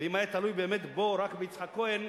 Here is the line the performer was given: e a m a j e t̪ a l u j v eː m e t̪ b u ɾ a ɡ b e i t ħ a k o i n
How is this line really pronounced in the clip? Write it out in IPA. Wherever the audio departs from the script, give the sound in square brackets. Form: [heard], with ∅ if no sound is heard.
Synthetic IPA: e [i] m a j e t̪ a l u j [b] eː m e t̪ b [o] ɾ a [k] b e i [t͡s] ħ a k o [e] n